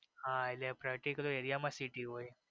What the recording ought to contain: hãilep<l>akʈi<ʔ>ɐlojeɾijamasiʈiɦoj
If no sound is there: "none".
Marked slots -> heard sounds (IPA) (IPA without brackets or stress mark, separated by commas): ɾ, k